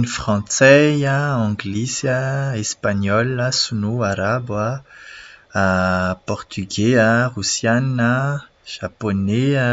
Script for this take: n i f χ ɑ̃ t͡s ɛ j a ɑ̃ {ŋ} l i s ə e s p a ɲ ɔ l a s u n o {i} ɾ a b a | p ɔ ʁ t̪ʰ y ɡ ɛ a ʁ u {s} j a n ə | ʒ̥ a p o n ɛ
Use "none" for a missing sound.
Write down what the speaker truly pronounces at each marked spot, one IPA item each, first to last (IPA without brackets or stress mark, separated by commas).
ɡ, a, s